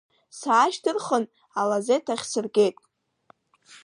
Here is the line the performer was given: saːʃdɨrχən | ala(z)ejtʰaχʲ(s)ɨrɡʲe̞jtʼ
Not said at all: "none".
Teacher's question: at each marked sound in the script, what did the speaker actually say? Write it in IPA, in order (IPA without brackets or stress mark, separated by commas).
z, s